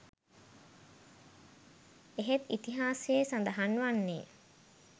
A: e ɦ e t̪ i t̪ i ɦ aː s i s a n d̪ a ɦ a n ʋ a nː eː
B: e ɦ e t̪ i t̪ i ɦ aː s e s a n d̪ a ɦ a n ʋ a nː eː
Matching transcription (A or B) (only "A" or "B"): B